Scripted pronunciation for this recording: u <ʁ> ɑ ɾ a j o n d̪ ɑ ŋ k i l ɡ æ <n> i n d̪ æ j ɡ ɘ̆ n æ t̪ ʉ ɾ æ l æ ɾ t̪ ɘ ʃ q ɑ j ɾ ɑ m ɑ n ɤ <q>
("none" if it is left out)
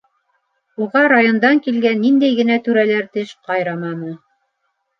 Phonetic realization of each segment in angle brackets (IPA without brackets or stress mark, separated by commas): ʁ, nː, none